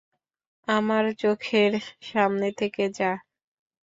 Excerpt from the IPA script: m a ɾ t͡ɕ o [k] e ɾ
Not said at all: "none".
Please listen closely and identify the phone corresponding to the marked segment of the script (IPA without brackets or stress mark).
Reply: kʰ